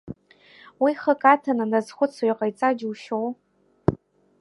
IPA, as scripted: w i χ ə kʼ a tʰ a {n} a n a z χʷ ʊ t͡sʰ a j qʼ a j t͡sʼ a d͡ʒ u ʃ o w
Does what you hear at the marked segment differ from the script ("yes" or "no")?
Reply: no